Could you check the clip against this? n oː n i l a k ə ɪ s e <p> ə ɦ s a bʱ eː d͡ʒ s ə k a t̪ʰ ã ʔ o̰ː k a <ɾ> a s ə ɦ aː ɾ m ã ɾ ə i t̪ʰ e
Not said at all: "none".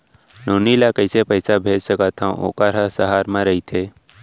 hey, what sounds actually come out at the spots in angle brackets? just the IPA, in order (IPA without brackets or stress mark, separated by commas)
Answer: p, ɾ